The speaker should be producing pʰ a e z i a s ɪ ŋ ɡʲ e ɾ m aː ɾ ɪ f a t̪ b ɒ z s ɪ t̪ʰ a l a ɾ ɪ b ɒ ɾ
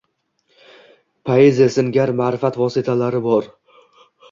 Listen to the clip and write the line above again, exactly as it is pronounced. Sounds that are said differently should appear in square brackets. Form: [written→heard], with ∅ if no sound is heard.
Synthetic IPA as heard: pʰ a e z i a s ɪ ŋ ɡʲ [e→a] ɾ m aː ɾ ɪ f a t̪ [b→v] ɒ [z→∅] s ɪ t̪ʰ a l a ɾ ɪ b ɒ ɾ